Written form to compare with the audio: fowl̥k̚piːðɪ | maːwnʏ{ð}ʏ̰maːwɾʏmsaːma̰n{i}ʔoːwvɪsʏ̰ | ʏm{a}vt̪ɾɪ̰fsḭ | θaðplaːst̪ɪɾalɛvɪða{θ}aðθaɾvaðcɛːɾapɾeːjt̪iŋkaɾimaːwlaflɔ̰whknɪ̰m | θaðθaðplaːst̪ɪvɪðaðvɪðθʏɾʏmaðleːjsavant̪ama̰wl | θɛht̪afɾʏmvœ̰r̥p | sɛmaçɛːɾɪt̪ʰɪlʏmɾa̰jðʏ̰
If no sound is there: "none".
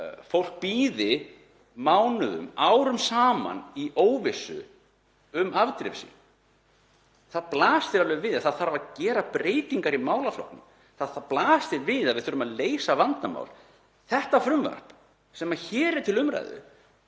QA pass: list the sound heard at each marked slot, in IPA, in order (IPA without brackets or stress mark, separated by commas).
ð, i, a, θ